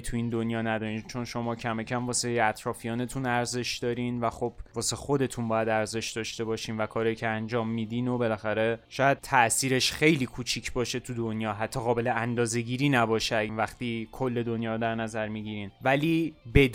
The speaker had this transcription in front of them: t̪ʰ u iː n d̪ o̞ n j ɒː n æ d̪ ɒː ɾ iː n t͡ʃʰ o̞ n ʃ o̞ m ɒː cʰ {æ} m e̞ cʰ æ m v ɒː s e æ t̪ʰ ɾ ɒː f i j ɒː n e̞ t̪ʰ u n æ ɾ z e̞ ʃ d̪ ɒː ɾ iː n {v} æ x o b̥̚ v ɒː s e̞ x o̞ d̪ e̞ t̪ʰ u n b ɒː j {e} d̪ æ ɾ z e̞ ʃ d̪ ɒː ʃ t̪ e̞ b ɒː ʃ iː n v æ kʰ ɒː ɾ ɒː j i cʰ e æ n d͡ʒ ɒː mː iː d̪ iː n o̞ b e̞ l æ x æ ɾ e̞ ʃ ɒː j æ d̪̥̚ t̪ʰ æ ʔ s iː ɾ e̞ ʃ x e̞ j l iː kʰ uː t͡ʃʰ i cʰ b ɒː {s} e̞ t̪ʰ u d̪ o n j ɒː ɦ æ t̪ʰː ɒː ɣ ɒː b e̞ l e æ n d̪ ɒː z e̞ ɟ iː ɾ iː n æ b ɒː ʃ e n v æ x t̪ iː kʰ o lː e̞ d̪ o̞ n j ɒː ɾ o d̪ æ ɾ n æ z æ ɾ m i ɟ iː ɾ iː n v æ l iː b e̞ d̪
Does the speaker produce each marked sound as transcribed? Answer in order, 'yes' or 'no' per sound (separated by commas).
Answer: yes, yes, no, no